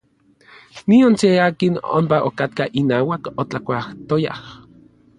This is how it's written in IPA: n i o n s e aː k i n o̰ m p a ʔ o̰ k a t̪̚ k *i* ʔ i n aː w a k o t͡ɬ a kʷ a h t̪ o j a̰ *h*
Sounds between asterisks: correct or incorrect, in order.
incorrect, correct

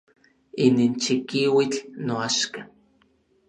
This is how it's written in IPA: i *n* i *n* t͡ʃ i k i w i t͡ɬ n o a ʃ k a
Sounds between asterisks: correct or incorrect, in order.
correct, correct

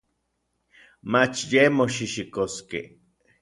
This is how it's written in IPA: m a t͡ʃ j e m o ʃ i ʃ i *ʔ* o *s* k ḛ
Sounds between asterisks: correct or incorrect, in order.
incorrect, correct

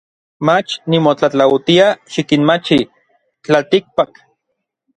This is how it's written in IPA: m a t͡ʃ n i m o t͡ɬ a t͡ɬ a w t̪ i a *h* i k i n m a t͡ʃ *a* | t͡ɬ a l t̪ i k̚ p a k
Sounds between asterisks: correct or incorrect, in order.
incorrect, incorrect

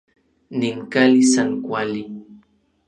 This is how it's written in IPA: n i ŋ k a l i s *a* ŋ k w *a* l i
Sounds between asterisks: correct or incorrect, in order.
correct, correct

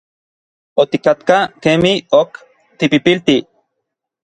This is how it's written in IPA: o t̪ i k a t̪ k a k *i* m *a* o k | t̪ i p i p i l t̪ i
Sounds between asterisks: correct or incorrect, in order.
incorrect, incorrect

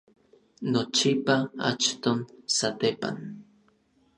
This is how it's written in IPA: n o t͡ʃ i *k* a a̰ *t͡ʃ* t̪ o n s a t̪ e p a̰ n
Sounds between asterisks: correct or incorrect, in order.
incorrect, correct

